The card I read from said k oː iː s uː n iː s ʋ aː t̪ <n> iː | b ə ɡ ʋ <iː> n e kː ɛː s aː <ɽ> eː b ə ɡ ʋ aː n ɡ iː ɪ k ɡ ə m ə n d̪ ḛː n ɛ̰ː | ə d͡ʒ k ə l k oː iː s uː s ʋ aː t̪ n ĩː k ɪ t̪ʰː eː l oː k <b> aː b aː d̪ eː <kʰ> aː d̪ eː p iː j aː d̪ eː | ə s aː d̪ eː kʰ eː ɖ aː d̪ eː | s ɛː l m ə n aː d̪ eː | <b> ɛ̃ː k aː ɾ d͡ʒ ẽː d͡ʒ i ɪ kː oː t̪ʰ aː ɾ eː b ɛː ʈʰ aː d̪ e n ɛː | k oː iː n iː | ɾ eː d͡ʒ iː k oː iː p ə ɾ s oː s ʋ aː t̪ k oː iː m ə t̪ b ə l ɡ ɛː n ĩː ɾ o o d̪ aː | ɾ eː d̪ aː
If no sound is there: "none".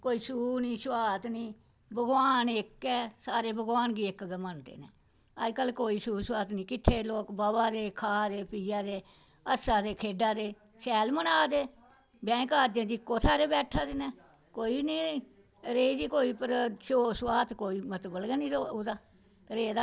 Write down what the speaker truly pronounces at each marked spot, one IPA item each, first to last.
n, aː, ɾ, b, kʰ, b

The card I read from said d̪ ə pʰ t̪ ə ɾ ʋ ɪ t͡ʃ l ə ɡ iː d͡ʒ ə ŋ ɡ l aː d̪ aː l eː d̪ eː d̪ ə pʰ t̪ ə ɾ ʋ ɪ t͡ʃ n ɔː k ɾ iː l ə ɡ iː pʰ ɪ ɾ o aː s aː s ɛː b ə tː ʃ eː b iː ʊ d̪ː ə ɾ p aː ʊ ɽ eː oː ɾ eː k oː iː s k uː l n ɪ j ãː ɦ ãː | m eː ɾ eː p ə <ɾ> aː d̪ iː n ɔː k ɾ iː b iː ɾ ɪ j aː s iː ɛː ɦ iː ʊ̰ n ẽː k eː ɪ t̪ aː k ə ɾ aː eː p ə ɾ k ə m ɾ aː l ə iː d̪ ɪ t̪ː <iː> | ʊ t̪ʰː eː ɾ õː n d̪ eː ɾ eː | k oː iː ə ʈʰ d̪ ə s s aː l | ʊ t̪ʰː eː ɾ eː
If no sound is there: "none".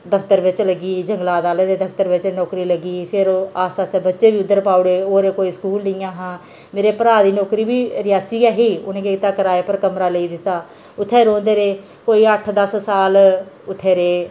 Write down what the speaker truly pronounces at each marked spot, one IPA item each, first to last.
ɾ, aː

